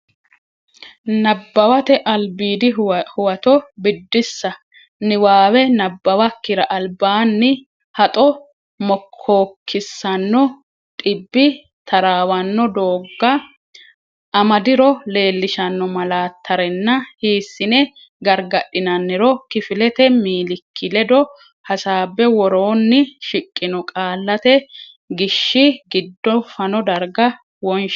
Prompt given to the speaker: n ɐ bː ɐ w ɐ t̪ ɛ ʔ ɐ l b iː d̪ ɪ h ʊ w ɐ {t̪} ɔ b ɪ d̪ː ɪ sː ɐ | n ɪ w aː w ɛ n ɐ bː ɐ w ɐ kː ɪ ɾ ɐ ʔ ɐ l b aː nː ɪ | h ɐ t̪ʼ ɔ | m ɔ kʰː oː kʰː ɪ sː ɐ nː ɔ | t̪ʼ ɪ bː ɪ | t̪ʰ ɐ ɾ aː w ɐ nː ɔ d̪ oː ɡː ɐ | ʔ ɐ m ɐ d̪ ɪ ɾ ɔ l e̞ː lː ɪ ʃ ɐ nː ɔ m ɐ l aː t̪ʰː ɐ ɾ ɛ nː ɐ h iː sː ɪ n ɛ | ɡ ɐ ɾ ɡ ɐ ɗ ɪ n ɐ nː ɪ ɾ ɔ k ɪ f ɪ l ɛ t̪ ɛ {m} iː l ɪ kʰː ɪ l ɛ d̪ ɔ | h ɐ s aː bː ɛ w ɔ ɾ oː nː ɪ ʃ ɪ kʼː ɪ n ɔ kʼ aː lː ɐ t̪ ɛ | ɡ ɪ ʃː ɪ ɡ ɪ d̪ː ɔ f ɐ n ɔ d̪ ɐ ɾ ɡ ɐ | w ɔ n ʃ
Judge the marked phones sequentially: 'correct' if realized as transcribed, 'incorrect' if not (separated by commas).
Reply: correct, correct